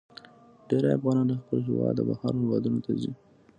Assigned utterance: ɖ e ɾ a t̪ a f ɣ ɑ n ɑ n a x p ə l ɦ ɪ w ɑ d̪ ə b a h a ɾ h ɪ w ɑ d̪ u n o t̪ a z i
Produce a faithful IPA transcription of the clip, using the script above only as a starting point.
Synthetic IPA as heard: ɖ e ɾ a a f ɣ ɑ n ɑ n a x p ə l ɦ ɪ w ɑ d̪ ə b a h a ɾ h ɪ w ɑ d̪ u n o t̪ a z i